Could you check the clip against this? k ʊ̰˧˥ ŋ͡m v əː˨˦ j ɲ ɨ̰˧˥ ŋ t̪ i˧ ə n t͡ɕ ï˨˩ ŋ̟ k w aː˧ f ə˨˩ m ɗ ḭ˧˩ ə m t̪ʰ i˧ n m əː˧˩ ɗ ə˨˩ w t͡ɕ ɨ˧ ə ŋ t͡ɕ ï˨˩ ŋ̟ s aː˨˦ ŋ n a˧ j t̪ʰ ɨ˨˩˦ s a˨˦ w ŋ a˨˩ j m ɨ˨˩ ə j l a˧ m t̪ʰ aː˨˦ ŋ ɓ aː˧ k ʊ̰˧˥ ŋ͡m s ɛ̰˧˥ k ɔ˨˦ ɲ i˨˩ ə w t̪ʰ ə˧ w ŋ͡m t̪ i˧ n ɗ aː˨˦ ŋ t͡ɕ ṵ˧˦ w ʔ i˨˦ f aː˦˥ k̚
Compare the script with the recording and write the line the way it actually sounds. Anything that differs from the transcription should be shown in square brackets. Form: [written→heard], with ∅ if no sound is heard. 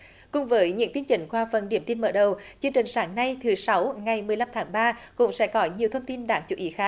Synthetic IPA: k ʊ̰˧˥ ŋ͡m v əː˨˦ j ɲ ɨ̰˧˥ ŋ t̪ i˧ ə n t͡ɕ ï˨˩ ŋ̟ k w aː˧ f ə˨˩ [m→n] ɗ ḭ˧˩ ə m [t̪ʰ→t̪] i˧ n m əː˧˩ ɗ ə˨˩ w t͡ɕ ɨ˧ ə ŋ t͡ɕ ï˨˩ ŋ̟ s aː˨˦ ŋ n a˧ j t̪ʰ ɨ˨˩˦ s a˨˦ w ŋ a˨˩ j m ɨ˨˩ ə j l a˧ m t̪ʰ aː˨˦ ŋ ɓ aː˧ k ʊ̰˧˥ ŋ͡m s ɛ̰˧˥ k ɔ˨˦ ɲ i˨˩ ə w t̪ʰ ə˧ w ŋ͡m t̪ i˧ n ɗ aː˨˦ ŋ t͡ɕ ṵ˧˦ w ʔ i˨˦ [f→x] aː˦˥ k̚